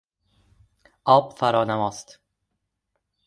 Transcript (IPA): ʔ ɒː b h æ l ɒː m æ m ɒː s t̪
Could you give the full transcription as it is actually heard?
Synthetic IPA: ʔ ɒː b f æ ɾ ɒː n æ m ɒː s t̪